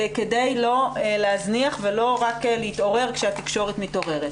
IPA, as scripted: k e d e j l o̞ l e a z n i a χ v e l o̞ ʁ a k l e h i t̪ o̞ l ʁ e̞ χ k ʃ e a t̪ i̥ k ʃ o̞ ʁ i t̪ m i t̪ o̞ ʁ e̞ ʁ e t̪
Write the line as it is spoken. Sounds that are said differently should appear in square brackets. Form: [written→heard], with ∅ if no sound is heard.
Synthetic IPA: k e d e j l o̞ l e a z n i a χ v e l o̞ ʁ a k l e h i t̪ o̞ [l→∅] ʁ e̞ [χ→ʁ] k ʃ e a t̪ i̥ k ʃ o̞ ʁ [i→e] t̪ m i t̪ o̞ ʁ e̞ ʁ e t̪

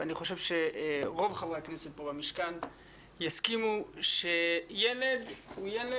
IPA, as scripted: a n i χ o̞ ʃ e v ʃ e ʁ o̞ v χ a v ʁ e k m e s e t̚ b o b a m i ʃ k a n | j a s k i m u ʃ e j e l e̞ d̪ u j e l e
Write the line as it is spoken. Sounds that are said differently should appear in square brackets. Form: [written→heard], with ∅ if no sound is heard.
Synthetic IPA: a n i χ o̞ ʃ e v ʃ e ʁ o̞ v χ a v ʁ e k [m→n] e s e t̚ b o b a m i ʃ k a n | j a s k i m u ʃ e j e l e̞ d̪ u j e l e

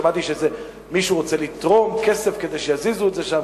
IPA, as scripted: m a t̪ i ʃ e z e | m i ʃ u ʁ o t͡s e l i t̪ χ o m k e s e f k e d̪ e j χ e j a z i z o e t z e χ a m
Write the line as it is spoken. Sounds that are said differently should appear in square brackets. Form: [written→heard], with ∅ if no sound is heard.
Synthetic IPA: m a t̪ i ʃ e z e | m i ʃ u ʁ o t͡s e l i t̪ [χ→ʁ] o m k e s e f k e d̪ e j [χ→ʃ] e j a z i z [o→u] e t z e [χ→ʃ] a m

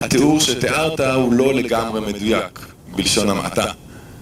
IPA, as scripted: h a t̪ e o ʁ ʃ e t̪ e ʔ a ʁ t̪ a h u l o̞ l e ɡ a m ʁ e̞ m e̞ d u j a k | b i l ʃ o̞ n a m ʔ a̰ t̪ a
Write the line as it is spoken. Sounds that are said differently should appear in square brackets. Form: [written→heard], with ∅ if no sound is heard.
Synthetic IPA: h a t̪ e [o→u] ʁ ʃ e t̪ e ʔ a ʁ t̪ a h u l o̞ l e ɡ a m ʁ e̞ m e̞ d u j a k | b i l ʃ o̞ n a m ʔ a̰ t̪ a

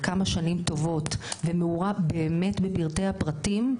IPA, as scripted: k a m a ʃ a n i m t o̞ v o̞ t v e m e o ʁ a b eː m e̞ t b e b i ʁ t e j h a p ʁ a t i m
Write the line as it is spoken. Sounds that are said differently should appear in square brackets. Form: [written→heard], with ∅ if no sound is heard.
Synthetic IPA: k a m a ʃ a n i m t o̞ v o̞ t v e m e [o→u] ʁ a b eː m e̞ t b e b i ʁ t e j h a p ʁ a t i m

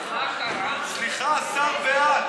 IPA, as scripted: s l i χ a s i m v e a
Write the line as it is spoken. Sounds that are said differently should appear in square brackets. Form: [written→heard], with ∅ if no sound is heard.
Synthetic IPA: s l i χ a s [i→a] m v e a

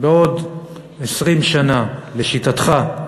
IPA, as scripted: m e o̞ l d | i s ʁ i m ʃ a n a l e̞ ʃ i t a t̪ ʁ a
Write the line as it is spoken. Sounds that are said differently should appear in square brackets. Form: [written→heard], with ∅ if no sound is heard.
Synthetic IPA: [m→b] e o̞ [l→∅] d | [i→e] s ʁ i m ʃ a n a l e̞ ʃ i t a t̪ [ʁ→χ] a

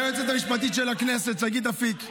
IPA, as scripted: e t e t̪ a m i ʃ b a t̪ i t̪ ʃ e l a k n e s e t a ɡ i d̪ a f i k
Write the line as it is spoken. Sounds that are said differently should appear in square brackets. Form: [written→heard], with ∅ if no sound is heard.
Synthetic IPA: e [t→t͡s] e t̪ a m i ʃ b a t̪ i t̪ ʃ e l a k n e s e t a ɡ i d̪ a f i k

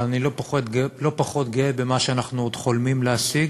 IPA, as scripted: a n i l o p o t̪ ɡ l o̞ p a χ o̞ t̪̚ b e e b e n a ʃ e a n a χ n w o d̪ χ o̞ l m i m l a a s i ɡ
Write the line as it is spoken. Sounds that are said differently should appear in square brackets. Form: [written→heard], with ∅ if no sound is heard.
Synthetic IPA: a n i l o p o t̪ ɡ l o̞ p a χ o̞ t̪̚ [b→ɡ] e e b e [n→m] a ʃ e a n a χ n [w→u] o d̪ χ o̞ l m i m l [a→e] a s i ɡ

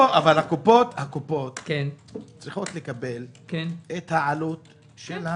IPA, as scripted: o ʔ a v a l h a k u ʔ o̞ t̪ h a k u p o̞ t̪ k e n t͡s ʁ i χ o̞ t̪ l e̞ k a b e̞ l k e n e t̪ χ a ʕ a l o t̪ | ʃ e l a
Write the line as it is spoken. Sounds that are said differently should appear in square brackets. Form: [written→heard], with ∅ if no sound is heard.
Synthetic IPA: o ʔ a v a l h a k u [ʔ→p] o̞ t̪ h a k u p o̞ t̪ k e n t͡s ʁ i χ o̞ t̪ l e̞ k a b e̞ l k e n e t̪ [χ→h] a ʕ a l [o→u] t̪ | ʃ e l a

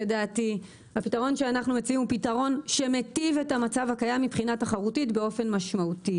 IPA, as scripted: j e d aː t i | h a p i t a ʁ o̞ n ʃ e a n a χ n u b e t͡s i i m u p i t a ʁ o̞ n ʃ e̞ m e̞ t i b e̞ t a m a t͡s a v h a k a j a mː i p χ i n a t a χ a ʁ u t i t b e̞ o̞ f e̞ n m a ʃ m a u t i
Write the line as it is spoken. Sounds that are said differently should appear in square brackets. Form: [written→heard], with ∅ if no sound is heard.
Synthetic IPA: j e d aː t i | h a p i t a ʁ o̞ n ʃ e a n a χ n u [b→m] e t͡s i i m u p i t a ʁ o̞ n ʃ e̞ m e̞ t i [b→v] e̞ t a m a t͡s a v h a k a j a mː i p χ i n a t a χ a ʁ u t i t b e̞ o̞ f e̞ n m a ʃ m a u t i

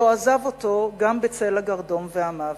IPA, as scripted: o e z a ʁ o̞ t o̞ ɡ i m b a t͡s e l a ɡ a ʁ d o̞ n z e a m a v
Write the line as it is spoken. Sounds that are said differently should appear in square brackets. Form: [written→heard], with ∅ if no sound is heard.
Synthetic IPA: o [e→a] z a [ʁ→v] o̞ t o̞ ɡ [i→a] m b [a→e] t͡s e l a ɡ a ʁ d o̞ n [z→v] e a m a v

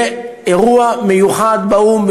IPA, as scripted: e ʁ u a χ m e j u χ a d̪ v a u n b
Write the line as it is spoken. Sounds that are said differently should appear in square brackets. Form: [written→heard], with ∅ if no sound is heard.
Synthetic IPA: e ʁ u a [χ→∅] m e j u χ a d̪ [v→b] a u [n→m] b

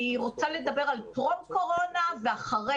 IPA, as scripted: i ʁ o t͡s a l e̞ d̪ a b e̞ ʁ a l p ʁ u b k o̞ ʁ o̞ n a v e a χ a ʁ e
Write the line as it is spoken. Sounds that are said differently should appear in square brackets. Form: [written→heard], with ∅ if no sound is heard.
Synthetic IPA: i ʁ o t͡s a l e̞ d̪ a b e̞ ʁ a l p ʁ [u→o] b k o̞ ʁ o̞ n a v e a χ a ʁ e

